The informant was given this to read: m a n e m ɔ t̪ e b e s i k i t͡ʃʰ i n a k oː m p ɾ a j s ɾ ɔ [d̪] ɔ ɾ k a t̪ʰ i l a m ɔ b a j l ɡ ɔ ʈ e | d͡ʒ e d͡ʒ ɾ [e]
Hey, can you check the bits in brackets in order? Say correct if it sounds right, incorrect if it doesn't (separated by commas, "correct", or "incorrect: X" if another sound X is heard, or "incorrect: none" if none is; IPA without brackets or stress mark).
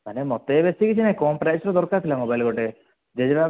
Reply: correct, incorrect: a